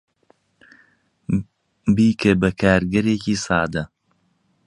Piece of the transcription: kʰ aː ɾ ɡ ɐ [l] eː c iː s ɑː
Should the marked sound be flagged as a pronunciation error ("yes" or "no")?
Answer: yes